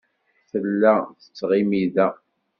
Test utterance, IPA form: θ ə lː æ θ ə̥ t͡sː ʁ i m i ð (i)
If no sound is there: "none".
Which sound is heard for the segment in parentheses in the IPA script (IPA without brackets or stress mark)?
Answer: æ